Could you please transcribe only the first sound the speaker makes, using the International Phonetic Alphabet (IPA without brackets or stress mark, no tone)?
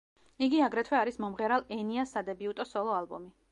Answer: i